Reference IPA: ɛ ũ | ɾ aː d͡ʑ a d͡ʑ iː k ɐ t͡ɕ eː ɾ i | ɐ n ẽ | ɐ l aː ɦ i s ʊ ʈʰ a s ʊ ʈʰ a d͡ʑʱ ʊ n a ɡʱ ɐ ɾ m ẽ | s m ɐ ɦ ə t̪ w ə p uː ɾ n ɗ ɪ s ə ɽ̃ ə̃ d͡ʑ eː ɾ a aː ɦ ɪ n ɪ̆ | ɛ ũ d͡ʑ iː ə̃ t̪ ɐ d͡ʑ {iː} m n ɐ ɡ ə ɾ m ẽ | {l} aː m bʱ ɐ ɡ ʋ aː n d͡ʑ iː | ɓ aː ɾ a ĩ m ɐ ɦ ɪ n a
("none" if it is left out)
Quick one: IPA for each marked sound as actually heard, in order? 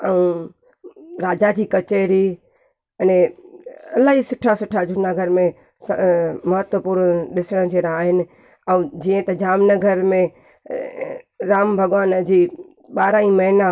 aː, ɾ

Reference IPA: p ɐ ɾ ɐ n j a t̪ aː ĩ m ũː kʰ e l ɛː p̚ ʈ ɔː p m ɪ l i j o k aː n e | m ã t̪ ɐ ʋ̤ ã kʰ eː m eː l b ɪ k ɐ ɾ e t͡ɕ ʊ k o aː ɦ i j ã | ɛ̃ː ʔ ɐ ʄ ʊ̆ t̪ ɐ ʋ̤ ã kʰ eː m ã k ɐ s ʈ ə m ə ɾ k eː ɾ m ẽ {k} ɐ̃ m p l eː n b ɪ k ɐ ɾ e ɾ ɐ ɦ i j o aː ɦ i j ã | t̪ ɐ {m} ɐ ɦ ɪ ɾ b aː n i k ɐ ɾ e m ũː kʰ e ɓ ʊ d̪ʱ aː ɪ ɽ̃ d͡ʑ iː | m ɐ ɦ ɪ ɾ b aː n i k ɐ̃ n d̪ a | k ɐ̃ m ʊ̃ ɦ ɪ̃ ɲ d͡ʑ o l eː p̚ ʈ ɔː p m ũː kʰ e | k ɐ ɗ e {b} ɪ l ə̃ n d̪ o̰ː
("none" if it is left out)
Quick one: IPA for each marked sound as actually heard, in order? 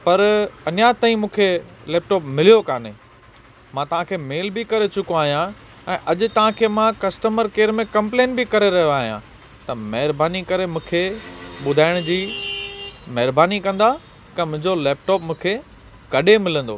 k, m, m

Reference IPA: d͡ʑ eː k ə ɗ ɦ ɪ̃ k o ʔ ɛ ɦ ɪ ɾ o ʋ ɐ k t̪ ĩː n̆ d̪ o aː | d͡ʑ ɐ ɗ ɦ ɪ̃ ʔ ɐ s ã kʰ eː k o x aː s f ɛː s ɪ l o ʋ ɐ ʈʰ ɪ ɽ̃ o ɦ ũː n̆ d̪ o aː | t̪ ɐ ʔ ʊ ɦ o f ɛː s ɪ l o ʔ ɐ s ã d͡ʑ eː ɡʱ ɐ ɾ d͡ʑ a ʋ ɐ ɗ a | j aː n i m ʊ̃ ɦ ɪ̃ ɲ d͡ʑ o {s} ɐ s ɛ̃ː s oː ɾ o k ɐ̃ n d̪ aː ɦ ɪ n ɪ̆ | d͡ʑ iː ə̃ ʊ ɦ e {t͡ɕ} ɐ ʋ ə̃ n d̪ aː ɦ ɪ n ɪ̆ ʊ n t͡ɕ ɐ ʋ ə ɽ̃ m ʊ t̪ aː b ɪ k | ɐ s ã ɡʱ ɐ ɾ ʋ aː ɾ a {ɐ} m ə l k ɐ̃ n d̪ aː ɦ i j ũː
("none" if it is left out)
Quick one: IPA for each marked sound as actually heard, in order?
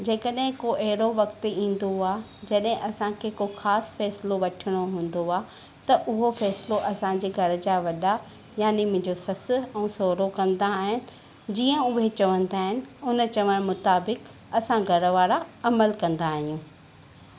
s, t͡ɕ, ɐ

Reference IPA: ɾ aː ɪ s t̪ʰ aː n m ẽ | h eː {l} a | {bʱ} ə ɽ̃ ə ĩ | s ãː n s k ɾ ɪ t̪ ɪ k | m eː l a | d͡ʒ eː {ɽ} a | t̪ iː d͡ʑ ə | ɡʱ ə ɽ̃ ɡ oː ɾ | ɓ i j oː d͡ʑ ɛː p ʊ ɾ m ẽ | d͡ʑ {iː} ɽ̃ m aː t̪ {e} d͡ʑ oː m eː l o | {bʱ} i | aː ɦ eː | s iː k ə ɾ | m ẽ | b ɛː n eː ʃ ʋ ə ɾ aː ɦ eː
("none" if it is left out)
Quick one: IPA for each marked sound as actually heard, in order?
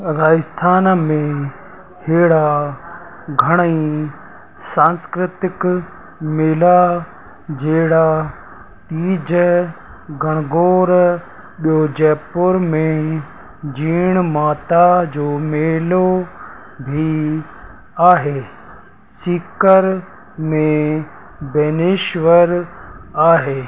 ɽ, ɡʱ, ɽ, iː, a, bʱ

